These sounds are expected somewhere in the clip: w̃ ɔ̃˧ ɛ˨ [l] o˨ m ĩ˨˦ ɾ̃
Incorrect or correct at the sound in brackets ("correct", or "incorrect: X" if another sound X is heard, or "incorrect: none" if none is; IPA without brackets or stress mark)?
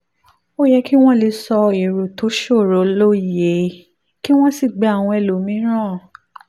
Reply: correct